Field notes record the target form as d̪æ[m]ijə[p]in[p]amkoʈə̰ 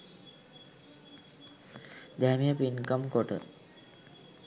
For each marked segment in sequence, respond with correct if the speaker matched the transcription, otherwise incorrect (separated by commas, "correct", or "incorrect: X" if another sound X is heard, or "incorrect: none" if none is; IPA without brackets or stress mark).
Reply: correct, correct, incorrect: k